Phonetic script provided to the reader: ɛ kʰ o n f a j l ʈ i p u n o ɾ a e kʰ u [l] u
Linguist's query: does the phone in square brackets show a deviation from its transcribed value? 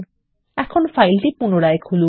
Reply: no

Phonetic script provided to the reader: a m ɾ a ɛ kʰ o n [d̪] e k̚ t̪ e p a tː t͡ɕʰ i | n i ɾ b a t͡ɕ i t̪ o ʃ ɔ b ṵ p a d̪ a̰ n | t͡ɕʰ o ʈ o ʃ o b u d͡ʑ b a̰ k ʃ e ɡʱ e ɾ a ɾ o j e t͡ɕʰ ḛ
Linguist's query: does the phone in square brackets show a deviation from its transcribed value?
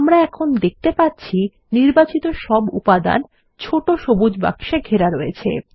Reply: no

